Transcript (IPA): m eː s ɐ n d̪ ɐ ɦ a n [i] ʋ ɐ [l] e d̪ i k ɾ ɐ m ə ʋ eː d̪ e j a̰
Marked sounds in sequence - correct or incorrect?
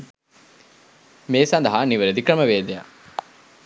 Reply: correct, incorrect: ɾ

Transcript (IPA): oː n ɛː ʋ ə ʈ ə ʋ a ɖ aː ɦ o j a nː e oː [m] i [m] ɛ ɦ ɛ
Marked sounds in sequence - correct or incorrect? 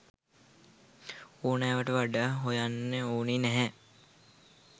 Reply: incorrect: n, incorrect: n

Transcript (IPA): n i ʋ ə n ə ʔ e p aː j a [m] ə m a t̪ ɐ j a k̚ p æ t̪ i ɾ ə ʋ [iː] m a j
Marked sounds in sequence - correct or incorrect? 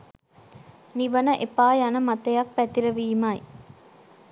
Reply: incorrect: n, correct

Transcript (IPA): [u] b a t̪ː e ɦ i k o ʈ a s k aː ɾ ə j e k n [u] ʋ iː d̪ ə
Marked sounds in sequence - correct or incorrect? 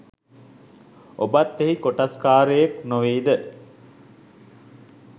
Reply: incorrect: o, incorrect: o

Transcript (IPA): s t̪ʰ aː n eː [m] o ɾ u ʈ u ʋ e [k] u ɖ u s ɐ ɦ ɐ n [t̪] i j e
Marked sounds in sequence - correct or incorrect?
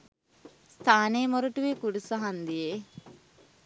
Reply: correct, correct, incorrect: d̪

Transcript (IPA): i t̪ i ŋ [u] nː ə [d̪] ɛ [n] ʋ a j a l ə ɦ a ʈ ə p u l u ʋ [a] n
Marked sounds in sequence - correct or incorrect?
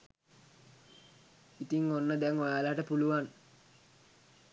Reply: incorrect: o, correct, incorrect: ŋ, correct

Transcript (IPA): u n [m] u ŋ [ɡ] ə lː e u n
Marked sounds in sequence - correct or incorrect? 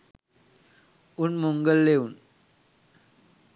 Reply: correct, correct

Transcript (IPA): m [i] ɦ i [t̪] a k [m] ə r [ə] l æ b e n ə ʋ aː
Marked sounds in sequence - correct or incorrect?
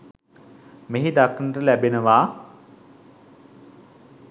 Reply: incorrect: e, incorrect: d̪, incorrect: n, correct

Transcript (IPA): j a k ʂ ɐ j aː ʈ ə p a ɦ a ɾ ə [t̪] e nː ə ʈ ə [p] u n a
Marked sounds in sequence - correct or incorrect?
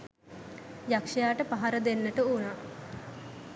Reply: incorrect: d̪, incorrect: none

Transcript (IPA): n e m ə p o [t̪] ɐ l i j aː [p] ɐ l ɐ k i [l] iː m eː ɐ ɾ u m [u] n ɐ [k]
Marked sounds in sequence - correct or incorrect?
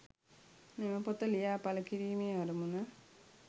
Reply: correct, correct, incorrect: ɾ, correct, incorrect: none

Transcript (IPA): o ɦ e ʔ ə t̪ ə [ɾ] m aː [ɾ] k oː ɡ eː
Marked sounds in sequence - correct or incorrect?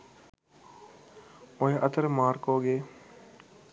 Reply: correct, correct

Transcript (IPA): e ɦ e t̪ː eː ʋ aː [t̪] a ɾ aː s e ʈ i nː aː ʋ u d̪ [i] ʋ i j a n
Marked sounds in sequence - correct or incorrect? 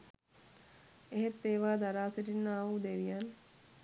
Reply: incorrect: d̪, incorrect: e

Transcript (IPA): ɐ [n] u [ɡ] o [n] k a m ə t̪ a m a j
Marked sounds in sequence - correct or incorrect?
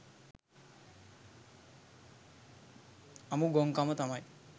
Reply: incorrect: m, correct, incorrect: ŋ

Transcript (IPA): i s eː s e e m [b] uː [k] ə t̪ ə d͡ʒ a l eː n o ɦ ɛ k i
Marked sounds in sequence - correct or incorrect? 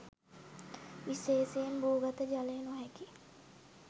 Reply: correct, incorrect: ɡ

